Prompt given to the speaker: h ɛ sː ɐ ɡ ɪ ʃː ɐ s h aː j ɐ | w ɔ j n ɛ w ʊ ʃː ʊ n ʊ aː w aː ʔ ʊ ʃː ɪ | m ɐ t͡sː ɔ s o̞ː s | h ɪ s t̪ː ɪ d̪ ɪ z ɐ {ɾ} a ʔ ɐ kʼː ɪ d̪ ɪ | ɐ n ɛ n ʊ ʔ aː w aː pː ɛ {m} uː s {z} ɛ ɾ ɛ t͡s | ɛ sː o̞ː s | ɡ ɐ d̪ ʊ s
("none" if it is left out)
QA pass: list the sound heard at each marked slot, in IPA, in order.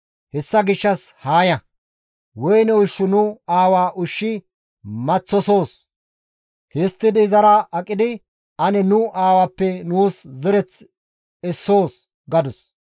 ɾ, n, z

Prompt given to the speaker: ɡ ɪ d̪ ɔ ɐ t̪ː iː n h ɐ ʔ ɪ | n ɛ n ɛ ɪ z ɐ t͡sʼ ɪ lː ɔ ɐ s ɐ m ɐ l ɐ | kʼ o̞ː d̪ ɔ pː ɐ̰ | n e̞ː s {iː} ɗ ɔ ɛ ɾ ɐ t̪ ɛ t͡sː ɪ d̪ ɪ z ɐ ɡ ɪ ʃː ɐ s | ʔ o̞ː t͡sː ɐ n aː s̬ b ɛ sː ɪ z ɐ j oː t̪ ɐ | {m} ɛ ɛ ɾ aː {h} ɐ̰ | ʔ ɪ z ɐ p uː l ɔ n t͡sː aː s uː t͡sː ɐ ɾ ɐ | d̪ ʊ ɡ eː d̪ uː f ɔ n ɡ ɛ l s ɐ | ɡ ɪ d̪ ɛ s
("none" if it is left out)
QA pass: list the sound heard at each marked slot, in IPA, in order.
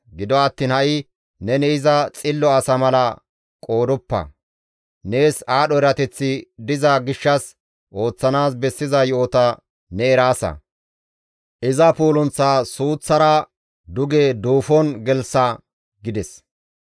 aː, n, s

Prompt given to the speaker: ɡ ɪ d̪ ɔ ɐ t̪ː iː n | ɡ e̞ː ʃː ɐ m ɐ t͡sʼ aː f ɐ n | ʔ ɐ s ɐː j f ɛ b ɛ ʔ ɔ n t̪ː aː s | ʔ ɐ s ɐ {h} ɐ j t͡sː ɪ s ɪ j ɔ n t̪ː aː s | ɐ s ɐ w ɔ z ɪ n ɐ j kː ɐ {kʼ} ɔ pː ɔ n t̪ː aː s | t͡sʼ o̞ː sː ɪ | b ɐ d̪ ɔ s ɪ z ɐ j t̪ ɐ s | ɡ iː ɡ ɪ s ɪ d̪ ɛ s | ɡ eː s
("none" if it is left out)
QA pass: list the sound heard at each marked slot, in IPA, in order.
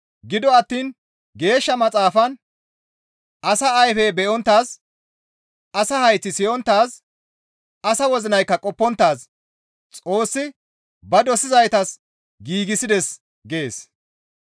h, kʼ

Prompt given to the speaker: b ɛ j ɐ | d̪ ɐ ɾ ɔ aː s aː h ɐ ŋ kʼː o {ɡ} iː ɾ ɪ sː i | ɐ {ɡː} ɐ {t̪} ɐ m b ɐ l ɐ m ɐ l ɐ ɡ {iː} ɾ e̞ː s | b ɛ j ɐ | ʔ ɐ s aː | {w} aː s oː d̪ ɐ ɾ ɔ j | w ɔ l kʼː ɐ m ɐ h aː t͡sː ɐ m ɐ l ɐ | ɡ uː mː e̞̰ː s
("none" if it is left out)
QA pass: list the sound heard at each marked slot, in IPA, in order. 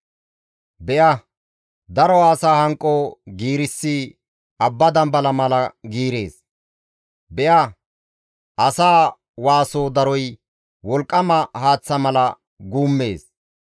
ɡ, bː, d̪, iː, w

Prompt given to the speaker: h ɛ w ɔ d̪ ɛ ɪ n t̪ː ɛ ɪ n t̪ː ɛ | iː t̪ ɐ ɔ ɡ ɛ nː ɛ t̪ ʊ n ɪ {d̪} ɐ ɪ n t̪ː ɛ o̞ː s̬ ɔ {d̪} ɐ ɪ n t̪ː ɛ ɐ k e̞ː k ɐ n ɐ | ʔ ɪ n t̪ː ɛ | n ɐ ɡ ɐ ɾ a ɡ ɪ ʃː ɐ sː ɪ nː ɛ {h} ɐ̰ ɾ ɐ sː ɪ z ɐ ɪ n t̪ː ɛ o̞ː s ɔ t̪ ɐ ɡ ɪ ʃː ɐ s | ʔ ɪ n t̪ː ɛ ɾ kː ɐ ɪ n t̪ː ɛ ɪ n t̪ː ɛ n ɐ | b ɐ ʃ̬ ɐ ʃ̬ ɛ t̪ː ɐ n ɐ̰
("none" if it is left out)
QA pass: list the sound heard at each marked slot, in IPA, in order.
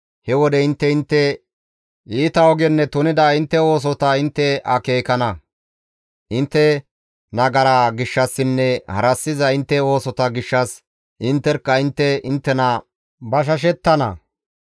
d̪, t̪, h

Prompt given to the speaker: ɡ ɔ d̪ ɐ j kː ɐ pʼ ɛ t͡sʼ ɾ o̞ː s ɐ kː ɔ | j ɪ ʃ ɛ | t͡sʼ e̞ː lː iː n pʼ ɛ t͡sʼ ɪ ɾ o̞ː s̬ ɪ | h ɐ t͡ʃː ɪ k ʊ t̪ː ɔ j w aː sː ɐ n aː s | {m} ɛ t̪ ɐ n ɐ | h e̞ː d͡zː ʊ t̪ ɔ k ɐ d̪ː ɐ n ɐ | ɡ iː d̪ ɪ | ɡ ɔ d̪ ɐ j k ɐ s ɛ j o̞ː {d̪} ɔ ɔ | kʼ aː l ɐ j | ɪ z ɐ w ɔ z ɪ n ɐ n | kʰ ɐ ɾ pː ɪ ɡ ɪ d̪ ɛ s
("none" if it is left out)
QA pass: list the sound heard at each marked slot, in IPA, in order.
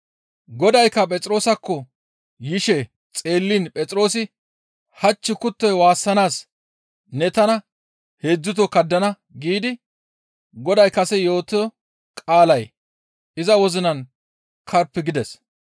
n, t̪

